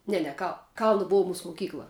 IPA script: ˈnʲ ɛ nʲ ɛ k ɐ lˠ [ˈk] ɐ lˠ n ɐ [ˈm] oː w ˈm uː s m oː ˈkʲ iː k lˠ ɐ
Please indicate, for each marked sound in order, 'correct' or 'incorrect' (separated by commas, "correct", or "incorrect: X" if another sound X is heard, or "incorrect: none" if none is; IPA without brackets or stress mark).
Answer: correct, incorrect: b